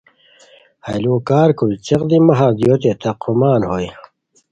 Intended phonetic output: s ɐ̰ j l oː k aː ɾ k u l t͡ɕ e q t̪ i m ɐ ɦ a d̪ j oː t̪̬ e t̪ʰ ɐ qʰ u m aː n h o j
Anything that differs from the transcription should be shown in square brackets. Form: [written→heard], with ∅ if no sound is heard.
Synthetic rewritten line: [s→h] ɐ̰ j l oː k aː ɾ k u l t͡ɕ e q [t̪→d̪] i m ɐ ɦ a d̪ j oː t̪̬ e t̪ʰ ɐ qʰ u m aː n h o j